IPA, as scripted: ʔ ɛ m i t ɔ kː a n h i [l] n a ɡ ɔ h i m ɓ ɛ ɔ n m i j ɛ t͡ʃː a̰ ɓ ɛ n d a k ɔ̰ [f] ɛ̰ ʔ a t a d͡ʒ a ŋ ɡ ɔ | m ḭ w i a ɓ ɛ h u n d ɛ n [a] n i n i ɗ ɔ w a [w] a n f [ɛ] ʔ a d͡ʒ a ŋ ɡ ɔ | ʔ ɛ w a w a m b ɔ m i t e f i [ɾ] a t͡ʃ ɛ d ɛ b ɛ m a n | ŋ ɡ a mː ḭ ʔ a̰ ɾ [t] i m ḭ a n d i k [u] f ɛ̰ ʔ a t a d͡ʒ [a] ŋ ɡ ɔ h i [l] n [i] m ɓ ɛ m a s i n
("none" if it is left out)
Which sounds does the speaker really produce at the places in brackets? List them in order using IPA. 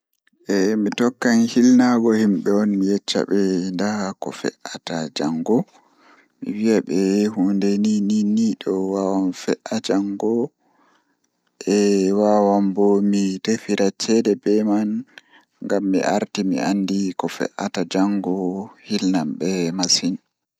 l, f, i, w, ɛ, ɾ, t, ɔ, a, l, a

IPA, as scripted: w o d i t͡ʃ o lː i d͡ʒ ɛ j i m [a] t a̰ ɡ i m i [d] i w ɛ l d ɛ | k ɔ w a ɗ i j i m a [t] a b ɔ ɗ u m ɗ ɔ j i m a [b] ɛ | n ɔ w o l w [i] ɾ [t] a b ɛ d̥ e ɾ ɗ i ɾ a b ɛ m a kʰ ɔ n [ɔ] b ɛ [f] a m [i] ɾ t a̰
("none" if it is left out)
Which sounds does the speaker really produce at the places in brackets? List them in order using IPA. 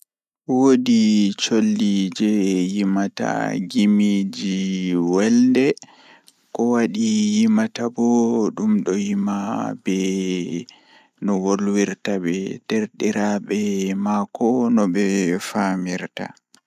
a, d͡ʒ, t, b, i, t, ɔ, f, i

